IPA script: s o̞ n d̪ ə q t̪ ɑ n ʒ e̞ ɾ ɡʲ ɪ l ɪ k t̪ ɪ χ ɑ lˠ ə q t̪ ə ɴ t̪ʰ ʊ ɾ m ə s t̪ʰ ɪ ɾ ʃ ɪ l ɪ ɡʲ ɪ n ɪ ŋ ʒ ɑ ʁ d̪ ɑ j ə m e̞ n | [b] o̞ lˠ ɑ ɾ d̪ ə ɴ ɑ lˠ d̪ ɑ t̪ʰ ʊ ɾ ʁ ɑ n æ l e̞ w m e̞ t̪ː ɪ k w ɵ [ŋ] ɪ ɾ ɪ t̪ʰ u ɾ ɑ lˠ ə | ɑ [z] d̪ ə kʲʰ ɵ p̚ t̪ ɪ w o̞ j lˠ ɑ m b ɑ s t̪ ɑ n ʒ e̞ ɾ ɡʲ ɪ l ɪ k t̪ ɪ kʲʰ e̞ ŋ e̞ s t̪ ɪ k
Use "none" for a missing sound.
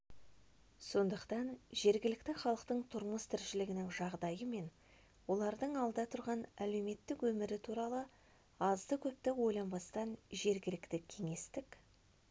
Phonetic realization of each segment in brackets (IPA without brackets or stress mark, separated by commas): w, m, z